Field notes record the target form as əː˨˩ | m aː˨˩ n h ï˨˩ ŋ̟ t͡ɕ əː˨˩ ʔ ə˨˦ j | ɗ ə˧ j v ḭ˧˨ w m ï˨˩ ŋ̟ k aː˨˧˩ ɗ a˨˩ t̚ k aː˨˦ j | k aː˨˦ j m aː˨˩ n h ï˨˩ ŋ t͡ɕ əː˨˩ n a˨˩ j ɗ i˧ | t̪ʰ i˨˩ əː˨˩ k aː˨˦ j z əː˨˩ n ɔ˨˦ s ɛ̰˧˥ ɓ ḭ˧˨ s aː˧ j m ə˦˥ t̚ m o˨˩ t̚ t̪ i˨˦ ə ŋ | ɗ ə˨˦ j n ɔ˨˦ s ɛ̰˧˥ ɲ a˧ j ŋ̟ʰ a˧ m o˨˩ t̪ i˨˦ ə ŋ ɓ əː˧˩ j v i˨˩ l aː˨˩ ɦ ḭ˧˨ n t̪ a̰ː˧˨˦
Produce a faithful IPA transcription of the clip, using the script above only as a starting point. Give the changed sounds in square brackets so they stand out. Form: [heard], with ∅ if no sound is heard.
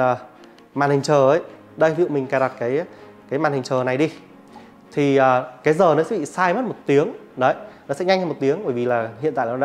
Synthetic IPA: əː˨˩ | m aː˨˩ n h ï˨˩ ŋ̟ t͡ɕ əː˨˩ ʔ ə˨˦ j | ɗ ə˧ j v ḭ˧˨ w m ï˨˩ ŋ̟ k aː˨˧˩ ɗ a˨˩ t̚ k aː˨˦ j | k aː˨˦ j m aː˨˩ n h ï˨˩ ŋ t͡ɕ əː˨˩ n a˨˩ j ɗ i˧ | t̪ʰ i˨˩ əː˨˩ k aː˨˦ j z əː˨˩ n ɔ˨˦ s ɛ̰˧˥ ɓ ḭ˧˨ s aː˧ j m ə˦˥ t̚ m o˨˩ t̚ t̪ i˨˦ ə ŋ | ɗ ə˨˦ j n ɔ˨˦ s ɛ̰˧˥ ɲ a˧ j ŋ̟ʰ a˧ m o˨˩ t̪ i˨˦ ə ŋ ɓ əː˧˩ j v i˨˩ l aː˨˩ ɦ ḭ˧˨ n t̪ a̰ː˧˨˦